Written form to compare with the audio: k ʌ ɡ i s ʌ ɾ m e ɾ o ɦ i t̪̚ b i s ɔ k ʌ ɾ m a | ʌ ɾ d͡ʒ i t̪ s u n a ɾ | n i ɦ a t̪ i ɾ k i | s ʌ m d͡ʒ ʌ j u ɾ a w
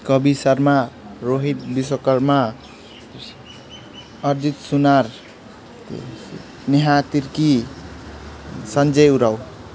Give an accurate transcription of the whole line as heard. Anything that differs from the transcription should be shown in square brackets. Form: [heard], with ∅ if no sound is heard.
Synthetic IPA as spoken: k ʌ [b] i s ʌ ɾ m [a] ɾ o ɦ i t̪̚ b i s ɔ k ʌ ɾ m a | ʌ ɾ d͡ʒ i t̪ s u n a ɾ | n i ɦ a t̪ i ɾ k i | s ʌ [n] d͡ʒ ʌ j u ɾ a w